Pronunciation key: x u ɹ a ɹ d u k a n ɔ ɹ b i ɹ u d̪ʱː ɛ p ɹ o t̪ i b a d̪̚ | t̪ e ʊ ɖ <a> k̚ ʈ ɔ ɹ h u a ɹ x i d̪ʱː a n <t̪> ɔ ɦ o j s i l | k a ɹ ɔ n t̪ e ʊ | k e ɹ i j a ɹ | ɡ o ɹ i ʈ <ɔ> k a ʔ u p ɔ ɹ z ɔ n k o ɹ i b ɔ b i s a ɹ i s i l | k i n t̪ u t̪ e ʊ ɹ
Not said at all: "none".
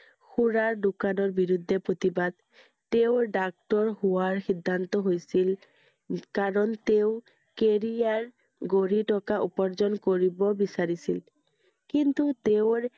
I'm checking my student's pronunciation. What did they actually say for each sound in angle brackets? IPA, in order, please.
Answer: a, t̪, ɔ

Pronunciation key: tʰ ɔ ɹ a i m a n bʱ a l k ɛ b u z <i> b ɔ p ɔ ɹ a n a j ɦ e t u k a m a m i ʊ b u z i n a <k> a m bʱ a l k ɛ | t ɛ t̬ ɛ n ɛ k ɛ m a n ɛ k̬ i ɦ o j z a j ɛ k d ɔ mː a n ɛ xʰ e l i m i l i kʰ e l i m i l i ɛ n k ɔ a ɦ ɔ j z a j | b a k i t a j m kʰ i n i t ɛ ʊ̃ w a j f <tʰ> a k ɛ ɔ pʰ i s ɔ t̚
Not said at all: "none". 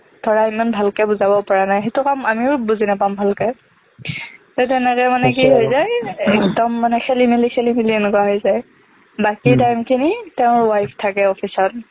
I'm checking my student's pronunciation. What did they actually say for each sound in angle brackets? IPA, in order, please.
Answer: a, p, tʰ

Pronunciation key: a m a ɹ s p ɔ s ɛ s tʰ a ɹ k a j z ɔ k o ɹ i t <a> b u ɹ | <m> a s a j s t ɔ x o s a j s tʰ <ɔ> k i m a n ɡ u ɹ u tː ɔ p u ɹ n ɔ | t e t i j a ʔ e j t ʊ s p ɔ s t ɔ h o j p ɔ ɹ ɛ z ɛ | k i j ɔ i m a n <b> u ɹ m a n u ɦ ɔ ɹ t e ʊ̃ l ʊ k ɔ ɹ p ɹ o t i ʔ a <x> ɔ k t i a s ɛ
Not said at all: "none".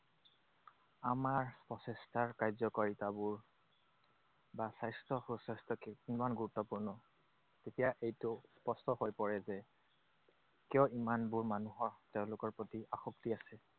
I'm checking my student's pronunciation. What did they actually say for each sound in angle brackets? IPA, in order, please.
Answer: a, b, ɔ, b, x

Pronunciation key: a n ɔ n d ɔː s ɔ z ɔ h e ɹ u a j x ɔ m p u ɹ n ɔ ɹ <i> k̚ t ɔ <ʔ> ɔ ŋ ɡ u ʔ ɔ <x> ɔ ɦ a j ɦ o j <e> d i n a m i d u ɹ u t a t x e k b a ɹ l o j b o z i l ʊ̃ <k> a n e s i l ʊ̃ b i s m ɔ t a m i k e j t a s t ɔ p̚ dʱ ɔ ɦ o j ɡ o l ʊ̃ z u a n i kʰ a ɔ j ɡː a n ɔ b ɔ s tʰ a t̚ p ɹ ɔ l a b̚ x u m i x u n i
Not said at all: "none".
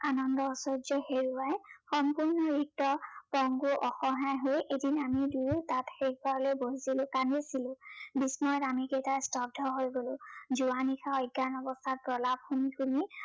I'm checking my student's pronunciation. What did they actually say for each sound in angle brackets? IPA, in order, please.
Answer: i, p, x, e, k

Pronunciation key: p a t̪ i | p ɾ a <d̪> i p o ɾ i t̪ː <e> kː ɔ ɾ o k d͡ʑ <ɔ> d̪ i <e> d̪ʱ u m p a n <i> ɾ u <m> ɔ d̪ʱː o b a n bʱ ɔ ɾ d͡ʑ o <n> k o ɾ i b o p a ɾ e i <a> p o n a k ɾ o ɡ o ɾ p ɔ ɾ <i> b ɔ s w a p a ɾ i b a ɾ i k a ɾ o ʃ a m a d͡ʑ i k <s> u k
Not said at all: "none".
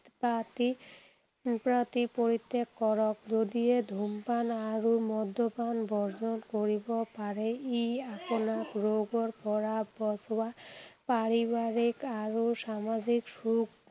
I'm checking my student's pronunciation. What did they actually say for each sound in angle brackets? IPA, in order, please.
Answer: t̪, e, o, e, a, m, n, a, a, ʃ

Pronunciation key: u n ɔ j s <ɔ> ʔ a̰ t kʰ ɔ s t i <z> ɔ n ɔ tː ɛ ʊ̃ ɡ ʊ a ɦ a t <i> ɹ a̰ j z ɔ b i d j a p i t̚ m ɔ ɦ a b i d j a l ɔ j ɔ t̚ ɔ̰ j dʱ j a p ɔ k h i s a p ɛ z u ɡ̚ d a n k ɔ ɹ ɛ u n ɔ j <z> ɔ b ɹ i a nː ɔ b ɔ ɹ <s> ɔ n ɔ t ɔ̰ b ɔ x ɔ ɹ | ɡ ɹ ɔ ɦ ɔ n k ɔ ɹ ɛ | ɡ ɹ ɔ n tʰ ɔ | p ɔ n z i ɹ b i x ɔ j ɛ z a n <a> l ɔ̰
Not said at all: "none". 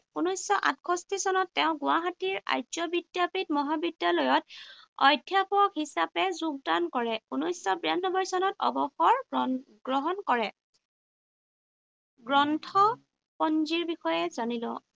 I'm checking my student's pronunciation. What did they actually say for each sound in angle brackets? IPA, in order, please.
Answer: ɔ, s, i, s, s, i

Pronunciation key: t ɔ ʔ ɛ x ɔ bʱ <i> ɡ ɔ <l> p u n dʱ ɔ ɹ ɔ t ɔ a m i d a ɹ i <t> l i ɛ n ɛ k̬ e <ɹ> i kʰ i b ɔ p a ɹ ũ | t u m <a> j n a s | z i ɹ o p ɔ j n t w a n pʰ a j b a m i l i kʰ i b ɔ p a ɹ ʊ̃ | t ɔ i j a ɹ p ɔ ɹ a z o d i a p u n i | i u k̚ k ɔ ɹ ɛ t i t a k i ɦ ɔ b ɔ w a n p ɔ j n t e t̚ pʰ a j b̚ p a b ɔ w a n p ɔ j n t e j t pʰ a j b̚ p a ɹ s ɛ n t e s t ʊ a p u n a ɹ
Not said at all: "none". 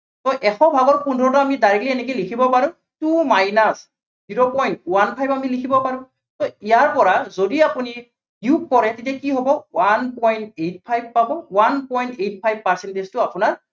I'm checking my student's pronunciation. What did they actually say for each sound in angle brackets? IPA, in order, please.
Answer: a, ɹ, k, l, a

